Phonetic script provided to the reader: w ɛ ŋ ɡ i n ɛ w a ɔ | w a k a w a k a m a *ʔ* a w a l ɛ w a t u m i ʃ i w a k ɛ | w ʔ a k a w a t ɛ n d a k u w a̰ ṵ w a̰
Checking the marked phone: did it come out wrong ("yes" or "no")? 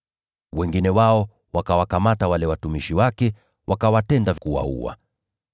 yes